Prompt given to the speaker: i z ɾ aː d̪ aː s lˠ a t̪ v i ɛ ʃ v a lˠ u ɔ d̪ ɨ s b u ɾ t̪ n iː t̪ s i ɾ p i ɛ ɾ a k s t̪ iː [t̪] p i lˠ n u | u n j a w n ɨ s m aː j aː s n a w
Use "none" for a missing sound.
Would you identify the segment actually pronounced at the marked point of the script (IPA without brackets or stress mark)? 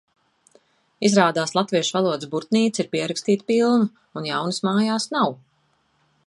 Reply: t̪